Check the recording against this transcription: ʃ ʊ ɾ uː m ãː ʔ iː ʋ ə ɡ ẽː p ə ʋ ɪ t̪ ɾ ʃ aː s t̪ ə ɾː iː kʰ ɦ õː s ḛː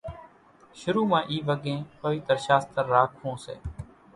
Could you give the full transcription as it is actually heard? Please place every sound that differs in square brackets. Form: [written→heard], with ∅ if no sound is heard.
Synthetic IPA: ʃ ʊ ɾ uː m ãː ʔ iː ʋ ə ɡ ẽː p ə ʋ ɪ t̪ ɾ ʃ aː s t̪ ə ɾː [iː→aː] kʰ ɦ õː s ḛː